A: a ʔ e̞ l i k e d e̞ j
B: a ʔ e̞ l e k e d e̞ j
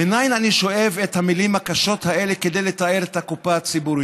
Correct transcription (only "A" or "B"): B